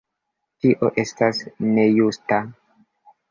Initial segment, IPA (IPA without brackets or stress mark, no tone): t